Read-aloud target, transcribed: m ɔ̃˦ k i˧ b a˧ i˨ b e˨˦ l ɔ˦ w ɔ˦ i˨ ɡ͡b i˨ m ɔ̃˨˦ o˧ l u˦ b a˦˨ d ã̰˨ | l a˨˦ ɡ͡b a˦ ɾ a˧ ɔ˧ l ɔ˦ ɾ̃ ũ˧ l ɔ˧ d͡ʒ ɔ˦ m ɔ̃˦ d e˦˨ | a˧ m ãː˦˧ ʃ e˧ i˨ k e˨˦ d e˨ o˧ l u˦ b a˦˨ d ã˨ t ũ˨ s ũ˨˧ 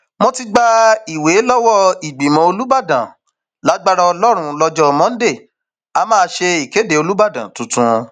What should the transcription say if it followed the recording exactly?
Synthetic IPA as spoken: m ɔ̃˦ t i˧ ɡ͡b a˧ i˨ w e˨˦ l ɔ˦ w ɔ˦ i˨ ɡ͡b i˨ m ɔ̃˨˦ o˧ l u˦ b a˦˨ d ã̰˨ | l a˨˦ ɡ͡b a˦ ɾ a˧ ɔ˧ l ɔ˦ ɾ̃ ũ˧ l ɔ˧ d͡ʒ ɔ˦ m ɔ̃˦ d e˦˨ | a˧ m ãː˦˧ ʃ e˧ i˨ k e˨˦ d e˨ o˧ l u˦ b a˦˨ d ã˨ t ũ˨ t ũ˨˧

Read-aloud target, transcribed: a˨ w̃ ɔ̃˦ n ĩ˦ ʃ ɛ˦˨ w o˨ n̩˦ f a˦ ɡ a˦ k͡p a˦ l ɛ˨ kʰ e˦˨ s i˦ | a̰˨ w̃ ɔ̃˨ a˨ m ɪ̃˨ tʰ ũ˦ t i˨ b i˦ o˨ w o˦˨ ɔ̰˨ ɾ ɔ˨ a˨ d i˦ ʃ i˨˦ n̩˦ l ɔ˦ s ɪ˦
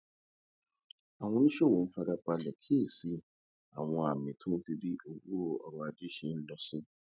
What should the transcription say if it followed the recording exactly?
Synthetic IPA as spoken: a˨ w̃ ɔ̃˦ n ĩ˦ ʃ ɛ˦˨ w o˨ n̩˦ f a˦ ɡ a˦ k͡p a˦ l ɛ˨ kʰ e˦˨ s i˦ | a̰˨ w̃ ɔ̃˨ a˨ m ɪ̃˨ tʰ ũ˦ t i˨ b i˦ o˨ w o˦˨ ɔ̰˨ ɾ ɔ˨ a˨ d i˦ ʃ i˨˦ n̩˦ l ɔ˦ s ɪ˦

